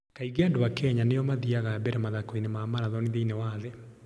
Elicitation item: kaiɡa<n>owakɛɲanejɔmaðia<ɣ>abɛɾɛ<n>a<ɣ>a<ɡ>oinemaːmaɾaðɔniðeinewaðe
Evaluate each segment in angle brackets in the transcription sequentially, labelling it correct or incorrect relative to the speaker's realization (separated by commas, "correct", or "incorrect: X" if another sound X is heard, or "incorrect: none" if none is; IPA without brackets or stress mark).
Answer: incorrect: d, correct, incorrect: m, incorrect: ð, incorrect: k